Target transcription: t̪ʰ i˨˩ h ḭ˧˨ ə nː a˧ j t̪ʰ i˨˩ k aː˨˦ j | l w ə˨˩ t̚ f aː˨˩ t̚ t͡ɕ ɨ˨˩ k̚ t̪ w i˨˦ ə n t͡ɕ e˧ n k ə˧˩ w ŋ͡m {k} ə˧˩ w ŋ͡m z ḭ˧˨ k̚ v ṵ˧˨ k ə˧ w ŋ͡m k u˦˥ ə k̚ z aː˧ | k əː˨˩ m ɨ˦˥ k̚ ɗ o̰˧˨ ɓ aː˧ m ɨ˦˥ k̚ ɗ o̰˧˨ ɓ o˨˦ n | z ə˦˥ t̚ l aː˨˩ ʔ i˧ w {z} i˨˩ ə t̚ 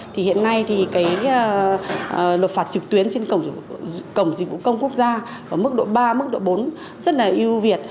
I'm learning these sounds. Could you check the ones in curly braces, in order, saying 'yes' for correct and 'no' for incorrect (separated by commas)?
yes, no